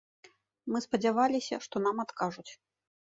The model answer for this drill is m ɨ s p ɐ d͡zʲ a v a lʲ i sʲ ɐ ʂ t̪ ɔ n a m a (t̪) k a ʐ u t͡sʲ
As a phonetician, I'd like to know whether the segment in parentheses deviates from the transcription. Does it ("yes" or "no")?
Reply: no